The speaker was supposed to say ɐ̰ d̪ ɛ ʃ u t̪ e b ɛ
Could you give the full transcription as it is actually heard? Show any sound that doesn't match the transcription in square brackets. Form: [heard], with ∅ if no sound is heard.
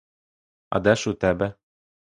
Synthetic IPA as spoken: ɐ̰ d̪ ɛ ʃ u t̪ [ɛ] b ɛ